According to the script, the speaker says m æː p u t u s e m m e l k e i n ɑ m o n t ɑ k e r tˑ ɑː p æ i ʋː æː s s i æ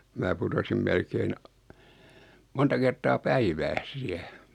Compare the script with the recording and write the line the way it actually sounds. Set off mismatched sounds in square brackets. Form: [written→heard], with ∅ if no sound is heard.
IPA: m æː p u t [u→o] s [e→i] m m e l k e i n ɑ m o n t ɑ k e r tˑ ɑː p æ i [ʋː→ʋ] æː s s i æ